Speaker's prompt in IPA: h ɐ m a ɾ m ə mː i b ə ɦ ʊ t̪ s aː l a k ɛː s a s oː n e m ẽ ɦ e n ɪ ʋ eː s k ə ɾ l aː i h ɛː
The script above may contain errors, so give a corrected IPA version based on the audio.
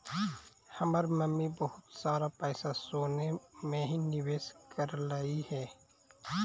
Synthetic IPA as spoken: h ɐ m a ɾ m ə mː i b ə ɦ ʊ t̪ s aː ɾ a p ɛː s a s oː n e m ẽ ɦ i n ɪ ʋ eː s k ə ɾ l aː i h ɛː

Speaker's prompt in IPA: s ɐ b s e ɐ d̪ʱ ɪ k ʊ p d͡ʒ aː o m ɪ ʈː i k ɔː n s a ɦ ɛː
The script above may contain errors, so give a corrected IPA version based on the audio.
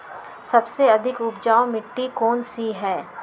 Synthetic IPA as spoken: s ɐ b s e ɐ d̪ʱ ɪ k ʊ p d͡ʒ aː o m ɪ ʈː i k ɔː n s i ɦ ɛː

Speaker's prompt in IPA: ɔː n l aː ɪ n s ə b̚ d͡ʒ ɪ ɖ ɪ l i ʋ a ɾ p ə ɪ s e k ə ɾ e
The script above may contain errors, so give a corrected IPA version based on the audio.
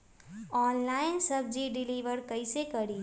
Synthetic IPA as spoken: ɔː n l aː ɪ n s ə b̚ d͡ʒ i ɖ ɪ l i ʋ ə ɾ k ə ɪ s e k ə ɾ i

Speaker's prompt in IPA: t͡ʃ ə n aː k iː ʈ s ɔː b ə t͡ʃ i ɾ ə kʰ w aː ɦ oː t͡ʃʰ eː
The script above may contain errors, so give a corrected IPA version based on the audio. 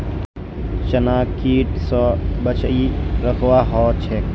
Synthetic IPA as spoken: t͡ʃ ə n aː k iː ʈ s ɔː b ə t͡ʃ i ɾ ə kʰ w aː ɦ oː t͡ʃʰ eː

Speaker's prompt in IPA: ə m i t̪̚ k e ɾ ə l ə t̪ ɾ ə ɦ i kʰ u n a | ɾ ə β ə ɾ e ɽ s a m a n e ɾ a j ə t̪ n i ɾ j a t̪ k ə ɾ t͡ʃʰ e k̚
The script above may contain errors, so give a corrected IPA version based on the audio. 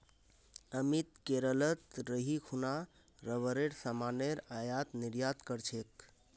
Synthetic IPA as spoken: ə m i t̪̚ k e ɾ ə l ə t̪ ɾ ə ɦ i kʰ u n a | ɾ ə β ə ɾ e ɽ s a m a n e ɾ a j a t̪ n i ɾ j a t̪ k ə ɾ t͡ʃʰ e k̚

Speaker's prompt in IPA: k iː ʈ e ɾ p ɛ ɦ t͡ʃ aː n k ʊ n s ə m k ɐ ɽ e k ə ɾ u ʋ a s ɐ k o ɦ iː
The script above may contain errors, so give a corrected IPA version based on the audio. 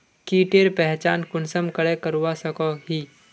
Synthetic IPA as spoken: k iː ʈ e ɾ p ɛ ɦ t͡ʃ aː n k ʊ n s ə m k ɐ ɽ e k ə ɾ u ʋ a s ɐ k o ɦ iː

